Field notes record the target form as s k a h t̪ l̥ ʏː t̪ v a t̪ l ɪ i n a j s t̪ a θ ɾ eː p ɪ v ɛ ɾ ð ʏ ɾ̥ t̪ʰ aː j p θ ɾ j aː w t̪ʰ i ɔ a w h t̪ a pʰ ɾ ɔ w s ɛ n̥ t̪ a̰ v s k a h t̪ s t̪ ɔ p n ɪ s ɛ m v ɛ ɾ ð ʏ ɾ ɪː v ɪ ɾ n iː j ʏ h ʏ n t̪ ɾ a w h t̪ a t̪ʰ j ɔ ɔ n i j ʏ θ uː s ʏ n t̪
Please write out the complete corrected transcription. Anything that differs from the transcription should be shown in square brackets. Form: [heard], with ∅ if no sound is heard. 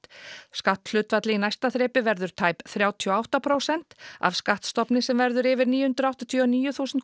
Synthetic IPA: s k a h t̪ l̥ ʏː t̪ v a t̪ l ɪ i n a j s t̪ a θ ɾ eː p ɪ v ɛ ɾ ð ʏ ɾ̥ t̪ʰ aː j p θ ɾ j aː w t̪ʰ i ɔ a w h t̪ a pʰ ɾ [o] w s ɛ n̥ t̪ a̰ v s k a h t̪ s t̪ ɔ p n ɪ s ɛ m v ɛ ɾ ð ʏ ɾ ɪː v ɪ ɾ n iː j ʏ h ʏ n t̪ ɾ a w h t̪ a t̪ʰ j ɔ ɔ n [iː] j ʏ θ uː s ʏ n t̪